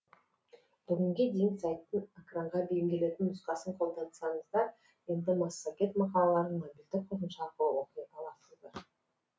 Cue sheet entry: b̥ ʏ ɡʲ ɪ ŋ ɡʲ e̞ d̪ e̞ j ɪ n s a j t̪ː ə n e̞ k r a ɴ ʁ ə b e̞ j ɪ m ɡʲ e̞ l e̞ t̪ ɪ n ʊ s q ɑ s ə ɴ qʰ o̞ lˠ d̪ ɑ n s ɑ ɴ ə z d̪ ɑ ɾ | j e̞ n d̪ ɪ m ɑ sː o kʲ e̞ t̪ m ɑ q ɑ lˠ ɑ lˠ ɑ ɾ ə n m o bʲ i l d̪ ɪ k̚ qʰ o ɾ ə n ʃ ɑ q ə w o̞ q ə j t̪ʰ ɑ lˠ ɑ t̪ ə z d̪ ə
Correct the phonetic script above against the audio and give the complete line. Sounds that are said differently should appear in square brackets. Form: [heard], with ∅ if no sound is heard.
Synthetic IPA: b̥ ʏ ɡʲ ɪ ŋ ɡʲ e̞ d̪ e̞ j ɪ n s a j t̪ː ə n e̞ k r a ɴ ʁ [ɑ] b e̞ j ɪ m ɡʲ e̞ l e̞ t̪ ɪ n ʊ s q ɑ s ə ɴ qʰ o̞ lˠ d̪ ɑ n s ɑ ɴ ə z d̪ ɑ ɾ | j e̞ n d̪ ɪ m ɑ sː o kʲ e̞ t̪ m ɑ q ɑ lˠ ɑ lˠ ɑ ɾ ə n m o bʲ i l d̪ ɪ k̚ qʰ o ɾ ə n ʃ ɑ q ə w o̞ q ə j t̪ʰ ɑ lˠ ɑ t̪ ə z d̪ ə